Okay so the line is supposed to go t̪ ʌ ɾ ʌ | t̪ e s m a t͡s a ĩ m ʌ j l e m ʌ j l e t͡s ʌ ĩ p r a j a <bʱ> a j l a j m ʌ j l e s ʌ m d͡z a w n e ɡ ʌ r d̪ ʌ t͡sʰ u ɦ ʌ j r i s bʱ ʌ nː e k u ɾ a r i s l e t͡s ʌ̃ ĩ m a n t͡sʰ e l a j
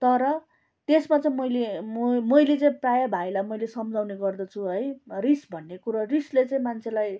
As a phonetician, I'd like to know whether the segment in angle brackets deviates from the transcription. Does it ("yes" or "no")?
no